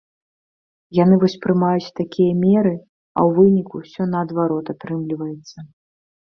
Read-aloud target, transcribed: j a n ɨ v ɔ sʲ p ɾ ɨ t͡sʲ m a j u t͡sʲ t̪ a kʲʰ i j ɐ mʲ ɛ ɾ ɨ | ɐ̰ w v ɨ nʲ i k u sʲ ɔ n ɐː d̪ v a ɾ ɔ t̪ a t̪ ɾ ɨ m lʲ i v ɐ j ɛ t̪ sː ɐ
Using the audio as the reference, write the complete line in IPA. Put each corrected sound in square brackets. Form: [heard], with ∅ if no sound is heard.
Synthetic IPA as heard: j a n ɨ v ɔ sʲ p ɾ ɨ [∅] m a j u t͡sʲ t̪ a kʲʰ i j ɐ mʲ ɛ ɾ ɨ | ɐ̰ w v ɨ nʲ i k u sʲ ɔ n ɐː d̪ v a ɾ ɔ t̪ a t̪ ɾ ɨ m lʲ i v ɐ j ɛ t̪ sː ɐ